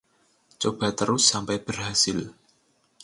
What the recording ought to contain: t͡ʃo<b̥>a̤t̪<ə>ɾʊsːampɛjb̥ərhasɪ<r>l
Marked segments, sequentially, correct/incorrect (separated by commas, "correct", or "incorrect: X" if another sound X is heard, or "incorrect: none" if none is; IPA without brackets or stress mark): correct, correct, incorrect: none